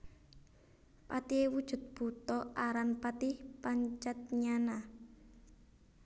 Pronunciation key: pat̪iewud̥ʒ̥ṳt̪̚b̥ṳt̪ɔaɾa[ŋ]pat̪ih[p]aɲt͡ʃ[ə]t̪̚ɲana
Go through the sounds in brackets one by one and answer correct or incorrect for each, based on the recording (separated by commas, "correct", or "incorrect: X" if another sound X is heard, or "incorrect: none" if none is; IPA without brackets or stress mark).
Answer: incorrect: n, correct, incorrect: a